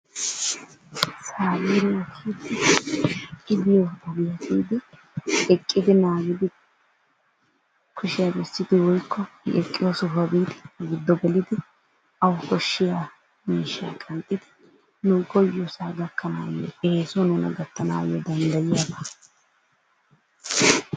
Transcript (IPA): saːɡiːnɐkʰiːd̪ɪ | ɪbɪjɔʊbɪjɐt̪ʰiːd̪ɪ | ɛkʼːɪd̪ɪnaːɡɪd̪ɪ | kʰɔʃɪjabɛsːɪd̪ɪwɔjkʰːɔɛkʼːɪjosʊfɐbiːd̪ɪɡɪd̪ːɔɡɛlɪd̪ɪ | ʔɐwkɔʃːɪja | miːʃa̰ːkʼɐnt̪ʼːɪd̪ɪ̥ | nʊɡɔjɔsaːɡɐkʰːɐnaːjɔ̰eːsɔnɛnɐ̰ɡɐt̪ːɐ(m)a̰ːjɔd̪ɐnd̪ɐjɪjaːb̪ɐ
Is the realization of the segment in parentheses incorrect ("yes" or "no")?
yes